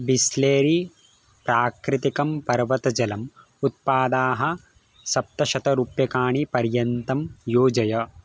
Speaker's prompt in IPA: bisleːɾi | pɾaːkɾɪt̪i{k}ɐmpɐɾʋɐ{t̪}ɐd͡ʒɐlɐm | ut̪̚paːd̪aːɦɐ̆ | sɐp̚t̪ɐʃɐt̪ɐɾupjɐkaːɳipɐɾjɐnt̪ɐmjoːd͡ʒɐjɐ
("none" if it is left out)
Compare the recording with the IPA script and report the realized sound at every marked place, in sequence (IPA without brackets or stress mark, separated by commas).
k, t̪